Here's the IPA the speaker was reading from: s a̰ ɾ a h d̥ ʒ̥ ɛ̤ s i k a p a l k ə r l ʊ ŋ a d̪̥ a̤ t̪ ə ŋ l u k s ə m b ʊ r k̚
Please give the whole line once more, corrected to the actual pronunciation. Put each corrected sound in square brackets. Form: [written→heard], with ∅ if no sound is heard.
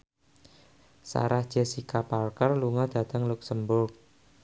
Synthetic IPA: s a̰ ɾ a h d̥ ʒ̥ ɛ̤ s i k a p a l k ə r l [ʊ→u] ŋ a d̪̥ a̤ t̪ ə ŋ l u k s ə m b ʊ r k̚